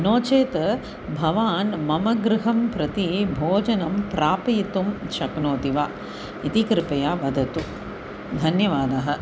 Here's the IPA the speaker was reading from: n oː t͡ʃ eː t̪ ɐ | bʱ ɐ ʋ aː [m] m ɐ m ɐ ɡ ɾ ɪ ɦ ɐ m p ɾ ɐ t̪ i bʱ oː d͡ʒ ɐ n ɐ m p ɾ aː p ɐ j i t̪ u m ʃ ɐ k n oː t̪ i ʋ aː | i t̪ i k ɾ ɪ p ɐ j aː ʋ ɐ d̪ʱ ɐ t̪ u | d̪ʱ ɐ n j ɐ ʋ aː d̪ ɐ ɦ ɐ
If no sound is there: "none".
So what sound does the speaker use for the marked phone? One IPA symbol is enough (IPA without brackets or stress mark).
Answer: n